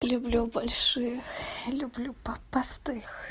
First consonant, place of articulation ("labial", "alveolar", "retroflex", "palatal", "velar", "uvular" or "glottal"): alveolar